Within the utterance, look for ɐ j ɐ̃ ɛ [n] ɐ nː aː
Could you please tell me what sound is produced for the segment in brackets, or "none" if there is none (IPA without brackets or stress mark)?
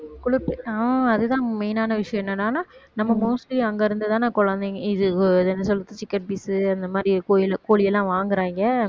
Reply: nː